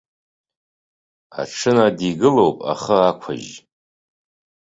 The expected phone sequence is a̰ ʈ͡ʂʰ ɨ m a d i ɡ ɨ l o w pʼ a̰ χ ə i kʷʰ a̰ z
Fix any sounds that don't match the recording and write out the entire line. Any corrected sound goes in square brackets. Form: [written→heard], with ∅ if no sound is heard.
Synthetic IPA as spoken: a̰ ʈ͡ʂʰ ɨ [m→n] a d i ɡ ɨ l o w pʼ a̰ χ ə [i→a] kʷʰ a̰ [z→ʒ]